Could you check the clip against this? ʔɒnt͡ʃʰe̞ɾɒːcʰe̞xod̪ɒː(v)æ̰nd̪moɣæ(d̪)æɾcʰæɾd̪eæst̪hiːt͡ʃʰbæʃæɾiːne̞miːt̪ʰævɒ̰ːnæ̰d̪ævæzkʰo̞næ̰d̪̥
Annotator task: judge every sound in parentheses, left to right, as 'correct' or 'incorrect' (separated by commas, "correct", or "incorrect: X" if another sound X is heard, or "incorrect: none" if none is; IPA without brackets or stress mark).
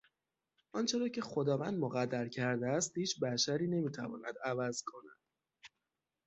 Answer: correct, incorrect: d̪ː